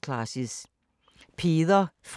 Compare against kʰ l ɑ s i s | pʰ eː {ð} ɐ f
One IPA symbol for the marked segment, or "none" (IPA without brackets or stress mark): ð